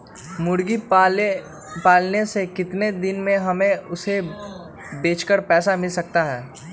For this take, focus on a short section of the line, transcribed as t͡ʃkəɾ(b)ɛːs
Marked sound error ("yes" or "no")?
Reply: yes